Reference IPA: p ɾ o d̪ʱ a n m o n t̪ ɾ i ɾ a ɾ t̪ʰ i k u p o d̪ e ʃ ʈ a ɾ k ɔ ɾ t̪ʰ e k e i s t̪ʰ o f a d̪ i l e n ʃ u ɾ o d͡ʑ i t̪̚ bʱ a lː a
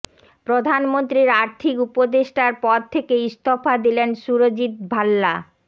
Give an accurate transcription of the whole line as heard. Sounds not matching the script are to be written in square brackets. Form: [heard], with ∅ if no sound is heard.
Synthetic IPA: p ɾ o d̪ʱ a n m o n t̪ ɾ i ɾ a ɾ t̪ʰ i k u p o d̪ e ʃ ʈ a ɾ [p] ɔ ɾ t̪ʰ e k e i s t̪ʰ o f a d̪ i l e n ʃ u ɾ o d͡ʑ i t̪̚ bʱ a lː a